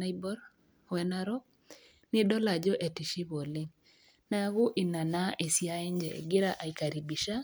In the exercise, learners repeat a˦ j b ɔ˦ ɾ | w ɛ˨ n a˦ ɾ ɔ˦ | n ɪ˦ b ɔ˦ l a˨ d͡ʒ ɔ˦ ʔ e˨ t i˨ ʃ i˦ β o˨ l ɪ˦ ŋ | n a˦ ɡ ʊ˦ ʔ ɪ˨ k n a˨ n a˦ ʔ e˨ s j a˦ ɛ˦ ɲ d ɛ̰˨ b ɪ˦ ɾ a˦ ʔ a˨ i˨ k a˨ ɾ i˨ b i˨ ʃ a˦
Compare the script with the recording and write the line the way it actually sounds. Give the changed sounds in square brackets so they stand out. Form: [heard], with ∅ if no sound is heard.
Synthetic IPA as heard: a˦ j b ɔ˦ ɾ | w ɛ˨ n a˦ ɾ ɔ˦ | n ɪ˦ [d] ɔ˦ l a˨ d͡ʒ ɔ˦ ʔ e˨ t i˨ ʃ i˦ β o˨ l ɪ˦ ŋ | n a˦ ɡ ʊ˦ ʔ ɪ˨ [∅] n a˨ n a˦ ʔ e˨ s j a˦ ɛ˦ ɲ [d͡ʒ] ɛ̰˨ [ɡ] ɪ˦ ɾ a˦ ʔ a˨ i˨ k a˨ ɾ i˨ b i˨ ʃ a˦